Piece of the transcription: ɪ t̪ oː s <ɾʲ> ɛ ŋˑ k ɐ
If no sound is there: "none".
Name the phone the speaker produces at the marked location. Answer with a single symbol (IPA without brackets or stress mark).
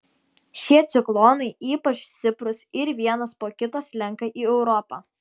lʲ